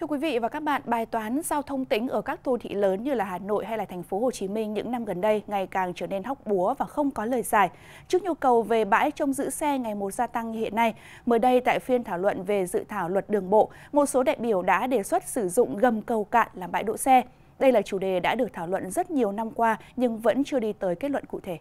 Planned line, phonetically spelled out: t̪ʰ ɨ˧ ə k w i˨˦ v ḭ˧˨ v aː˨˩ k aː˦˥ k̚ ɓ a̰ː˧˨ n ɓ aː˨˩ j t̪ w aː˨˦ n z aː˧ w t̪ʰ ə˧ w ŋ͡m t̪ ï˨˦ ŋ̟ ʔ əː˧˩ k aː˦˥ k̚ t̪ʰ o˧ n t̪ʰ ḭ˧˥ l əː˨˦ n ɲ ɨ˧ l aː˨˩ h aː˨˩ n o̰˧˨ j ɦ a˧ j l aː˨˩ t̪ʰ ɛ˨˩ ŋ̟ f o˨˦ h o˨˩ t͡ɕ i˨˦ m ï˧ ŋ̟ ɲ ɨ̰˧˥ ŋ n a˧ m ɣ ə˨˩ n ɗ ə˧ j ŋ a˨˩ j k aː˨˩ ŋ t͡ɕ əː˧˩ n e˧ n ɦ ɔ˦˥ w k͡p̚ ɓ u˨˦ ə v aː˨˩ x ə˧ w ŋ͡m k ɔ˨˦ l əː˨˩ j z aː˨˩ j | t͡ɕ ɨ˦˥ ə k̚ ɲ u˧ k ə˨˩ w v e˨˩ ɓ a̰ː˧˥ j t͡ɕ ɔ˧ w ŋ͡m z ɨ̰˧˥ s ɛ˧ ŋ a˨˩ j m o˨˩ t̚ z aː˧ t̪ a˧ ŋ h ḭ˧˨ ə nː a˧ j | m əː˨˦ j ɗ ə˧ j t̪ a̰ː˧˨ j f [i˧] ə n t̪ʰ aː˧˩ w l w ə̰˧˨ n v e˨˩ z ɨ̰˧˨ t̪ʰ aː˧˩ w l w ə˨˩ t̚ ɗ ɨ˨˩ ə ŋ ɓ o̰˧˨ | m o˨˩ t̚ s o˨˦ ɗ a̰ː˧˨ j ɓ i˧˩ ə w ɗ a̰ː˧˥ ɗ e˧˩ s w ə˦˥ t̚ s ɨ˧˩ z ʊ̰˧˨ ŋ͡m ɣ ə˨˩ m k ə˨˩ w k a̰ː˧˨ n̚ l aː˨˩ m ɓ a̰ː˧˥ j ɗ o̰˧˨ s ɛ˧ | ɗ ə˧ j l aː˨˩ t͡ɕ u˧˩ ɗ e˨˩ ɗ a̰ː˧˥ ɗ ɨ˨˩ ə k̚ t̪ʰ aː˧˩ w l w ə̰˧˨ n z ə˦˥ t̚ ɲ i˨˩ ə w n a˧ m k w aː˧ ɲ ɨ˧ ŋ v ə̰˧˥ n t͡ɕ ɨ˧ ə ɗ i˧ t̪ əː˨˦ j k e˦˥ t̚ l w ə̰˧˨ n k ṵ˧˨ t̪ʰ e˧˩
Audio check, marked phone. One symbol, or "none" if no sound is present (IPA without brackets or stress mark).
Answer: i˧